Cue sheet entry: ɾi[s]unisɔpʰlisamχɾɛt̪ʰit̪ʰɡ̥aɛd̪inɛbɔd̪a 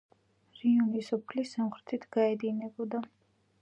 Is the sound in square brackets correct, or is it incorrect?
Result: incorrect